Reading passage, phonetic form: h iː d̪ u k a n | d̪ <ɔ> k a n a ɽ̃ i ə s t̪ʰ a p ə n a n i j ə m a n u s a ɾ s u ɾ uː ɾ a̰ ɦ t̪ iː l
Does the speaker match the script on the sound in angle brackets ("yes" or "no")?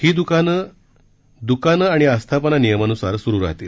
no